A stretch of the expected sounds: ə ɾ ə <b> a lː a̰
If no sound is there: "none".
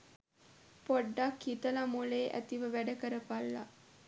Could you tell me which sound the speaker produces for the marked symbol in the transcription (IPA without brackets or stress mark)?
p